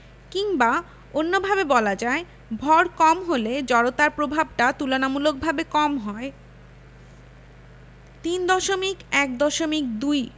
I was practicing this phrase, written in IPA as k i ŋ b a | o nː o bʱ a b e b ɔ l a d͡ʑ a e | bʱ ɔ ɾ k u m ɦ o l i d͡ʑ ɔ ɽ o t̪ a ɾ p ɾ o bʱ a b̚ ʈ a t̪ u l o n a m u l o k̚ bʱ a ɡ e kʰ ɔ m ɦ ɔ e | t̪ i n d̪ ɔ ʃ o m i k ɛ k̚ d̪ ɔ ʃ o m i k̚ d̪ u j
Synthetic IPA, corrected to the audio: k i ŋ b a | o nː o bʱ a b e b ɔ l a d͡ʑ a e | bʱ ɔ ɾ k ɔ m ɦ o l e d͡ʑ ɔ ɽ o t̪ a ɾ p ɾ o bʱ a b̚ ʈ a t̪ u l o n a m u l o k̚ bʱ a b e k ɔ m ɦ ɔ e | t̪ i n d̪ ɔ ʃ o m i k ɛ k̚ d̪ ɔ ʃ o m i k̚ d̪ u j

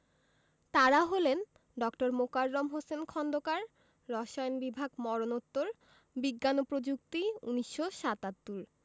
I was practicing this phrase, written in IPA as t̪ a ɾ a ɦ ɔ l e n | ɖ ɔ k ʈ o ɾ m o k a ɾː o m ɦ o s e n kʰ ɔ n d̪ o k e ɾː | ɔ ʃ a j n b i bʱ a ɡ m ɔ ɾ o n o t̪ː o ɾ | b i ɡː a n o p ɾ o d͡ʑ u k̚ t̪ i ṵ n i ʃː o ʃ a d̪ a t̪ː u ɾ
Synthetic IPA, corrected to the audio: t̪ a ɾ a ɦ o l e n | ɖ ɔ k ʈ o ɾ m o k a ɾː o m ɦ o s e n kʰ ɔ n d̪ o k a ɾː | ɔ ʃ a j n b i bʱ a ɡ m ɔ ɾ o n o t̪ː o ɾ | b i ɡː a n o p ɾ o d͡ʑ u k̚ t̪ i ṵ n i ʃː o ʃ a t̪ a t̪ː u ɾ

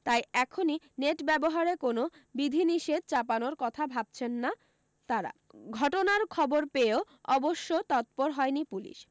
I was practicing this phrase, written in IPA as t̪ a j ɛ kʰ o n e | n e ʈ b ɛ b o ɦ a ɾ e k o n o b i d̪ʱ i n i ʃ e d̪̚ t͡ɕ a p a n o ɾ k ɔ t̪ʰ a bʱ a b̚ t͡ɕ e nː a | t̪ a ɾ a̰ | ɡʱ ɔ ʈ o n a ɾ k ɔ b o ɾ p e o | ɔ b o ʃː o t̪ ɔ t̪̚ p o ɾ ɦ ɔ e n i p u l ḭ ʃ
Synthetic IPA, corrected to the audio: t̪ a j ɛ kʰ o n i | n e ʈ b ɛ b o ɦ a ɾ e k o n o b i d̪ʱ i n i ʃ e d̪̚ t͡ɕ a p a n o ɾ k ɔ t̪ʰ a bʱ a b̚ t͡ɕʰ e nː a | t̪ a ɾ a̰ | ɡʱ ɔ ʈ o n a ɾ kʰ ɔ b o ɾ p e o | ɔ b o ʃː o t̪ ɔ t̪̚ p o ɾ ɦ ɔ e n i p u l ḭ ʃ

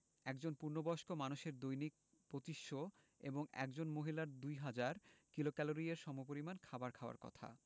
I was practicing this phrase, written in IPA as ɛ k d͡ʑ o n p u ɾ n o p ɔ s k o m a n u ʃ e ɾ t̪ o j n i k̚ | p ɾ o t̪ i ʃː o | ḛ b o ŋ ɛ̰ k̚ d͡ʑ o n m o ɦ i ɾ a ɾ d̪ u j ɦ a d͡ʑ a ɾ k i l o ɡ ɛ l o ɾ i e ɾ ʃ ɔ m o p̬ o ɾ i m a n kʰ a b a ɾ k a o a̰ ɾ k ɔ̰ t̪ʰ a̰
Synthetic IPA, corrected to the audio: ɛ k d͡ʑ o n p u ɾ n o b ɔ ʃ k o m a n u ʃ e ɾ d̪ o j n i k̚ | p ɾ o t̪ i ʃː o | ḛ b o ŋ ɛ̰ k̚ d͡ʑ o n m o ɦ i l a ɾ d̪ u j ɦ a d͡ʑ a ɾ k i l o k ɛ l o ɾ i e ɾ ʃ ɔ m o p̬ o ɾ i m a n kʰ a b a ɾ kʰ a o a̰ ɾ k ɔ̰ t̪ʰ a̰

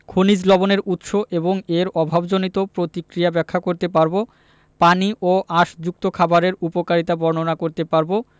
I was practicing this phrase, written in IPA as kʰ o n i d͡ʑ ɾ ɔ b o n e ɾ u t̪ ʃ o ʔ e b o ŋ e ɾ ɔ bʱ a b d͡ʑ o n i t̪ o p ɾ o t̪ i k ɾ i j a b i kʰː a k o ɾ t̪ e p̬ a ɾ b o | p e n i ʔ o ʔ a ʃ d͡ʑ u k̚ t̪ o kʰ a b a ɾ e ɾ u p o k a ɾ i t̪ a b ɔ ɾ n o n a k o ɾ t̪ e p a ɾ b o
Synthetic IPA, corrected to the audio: kʰ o n i d͡ʑ l ɔ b o n e ɾ u t̪ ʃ o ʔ e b o ŋ e ɾ ɔ bʱ a b d͡ʑ o n i t̪ o p ɾ o t̪ i k ɾ i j a b ɛ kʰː a k o ɾ t̪ e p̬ a ɾ b o | p a n i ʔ o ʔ a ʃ d͡ʑ u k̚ t̪ o kʰ a b a ɾ e ɾ u p o k a ɾ i t̪ a b ɔ ɾ n o n a k o ɾ t̪ e p a ɾ b o

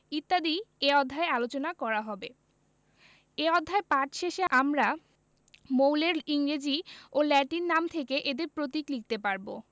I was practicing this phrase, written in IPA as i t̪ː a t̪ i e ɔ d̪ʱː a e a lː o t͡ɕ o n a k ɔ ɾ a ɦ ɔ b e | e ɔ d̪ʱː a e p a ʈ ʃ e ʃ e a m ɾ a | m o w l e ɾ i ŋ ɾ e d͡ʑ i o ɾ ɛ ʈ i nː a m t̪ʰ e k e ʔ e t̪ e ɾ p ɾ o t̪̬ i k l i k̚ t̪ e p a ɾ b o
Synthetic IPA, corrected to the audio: i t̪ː a d̪ i e ɔ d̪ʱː a e a l o t͡ɕ o n a k ɔ ɾ a ɦ ɔ b e | e ɔ d̪ʱː a e p a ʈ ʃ e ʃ e a m ɾ a | m o w l e ɾ i ŋ ɾ e d͡ʑ i o l ɛ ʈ i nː a m t̪ʰ e k e ʔ e d̪ e ɾ p ɾ o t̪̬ i k l i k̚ t̪ e p a ɾ b o

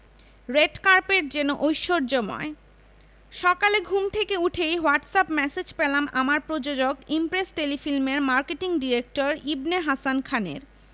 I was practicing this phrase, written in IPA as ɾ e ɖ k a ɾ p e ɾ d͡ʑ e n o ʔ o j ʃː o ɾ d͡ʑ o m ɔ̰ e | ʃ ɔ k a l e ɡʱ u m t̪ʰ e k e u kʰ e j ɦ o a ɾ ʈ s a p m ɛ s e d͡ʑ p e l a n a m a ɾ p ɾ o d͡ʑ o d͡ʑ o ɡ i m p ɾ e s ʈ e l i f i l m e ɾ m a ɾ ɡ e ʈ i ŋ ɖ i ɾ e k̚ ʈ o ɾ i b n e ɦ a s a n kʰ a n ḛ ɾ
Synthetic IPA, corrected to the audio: ɾ e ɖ k a ɾ p e ɾ d͡ʑ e n o ʔ o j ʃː o ɾ d͡ʑ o m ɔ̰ e | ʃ ɔ k a l e ɡʱ u m t̪ʰ e k e u ʈʰ e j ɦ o a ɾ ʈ s a p m ɛ s e d͡ʑ p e l a m a m a ɾ p ɾ o d͡ʑ o d͡ʑ o ɡ i m p ɾ e s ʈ e l i f i l m e ɾ m a ɾ k e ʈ i ŋ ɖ i ɾ e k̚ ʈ o ɾ i b n e ɦ a s a n kʰ a n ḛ ɾ

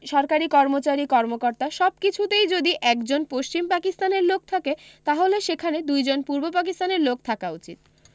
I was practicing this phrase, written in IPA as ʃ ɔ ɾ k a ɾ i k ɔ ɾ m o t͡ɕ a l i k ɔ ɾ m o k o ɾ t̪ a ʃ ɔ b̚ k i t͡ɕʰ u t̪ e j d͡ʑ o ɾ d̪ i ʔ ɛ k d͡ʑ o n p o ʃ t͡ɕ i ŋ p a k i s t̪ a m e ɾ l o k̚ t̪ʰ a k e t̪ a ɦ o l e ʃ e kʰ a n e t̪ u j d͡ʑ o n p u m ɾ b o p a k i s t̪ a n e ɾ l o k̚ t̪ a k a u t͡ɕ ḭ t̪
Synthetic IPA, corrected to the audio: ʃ ɔ ɾ k a ɾ i k ɔ ɾ m o t͡ɕ a ɾ i k ɔ ɾ m o k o ɾ t̪ a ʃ ɔ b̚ k i t͡ɕʰ u t̪ e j d͡ʑ o d̪ i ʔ ɛ k d͡ʑ o n p o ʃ t͡ɕ i m p a k i s t̪ a n e ɾ l o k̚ t̪ʰ a k e t̪ a ɦ o l e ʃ e kʰ a n e d̪ u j d͡ʑ o n p u ɾ b o p a k i s t̪ a n e ɾ l o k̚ t̪ʰ a k a u t͡ɕ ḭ t̪

